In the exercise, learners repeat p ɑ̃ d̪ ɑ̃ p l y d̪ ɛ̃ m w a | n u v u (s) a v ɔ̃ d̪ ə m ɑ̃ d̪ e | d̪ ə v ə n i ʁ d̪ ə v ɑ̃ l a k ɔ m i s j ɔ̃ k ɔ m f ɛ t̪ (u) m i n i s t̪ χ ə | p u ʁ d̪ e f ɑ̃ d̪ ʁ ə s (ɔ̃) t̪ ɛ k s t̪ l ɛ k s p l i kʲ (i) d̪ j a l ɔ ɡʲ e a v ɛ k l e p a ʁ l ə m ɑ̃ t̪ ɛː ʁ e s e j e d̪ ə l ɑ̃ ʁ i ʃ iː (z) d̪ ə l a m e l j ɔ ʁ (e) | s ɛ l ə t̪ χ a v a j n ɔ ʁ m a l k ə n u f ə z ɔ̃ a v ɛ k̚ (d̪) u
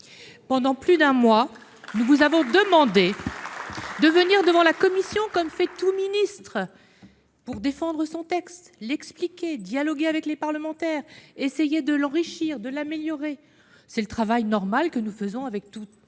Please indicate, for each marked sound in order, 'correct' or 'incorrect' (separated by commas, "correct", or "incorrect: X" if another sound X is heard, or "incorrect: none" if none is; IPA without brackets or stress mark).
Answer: incorrect: z, correct, correct, incorrect: e, incorrect: ʁ, correct, incorrect: t̪